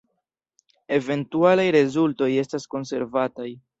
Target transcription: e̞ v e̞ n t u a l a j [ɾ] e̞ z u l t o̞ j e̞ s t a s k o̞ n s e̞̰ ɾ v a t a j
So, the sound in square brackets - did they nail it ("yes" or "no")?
yes